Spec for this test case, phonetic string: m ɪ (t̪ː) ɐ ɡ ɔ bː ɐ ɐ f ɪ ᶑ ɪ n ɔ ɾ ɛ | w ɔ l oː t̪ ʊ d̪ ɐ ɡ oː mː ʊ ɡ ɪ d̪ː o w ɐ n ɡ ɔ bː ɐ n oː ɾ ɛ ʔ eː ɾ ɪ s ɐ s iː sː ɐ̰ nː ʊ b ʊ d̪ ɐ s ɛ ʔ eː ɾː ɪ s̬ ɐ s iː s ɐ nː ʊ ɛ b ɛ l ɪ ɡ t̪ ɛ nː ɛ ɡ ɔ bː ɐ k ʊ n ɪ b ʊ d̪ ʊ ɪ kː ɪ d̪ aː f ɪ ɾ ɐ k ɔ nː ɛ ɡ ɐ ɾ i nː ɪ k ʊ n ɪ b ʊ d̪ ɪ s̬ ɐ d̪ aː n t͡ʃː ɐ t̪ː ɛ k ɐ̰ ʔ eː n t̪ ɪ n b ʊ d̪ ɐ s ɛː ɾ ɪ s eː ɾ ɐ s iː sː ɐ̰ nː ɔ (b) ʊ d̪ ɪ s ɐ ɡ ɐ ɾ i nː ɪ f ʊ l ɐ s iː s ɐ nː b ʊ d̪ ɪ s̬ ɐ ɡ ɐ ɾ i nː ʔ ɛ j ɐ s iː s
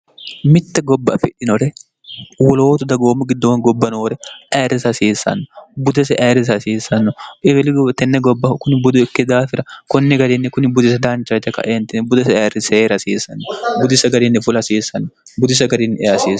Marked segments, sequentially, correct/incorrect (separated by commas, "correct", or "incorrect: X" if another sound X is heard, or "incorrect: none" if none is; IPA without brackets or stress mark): correct, correct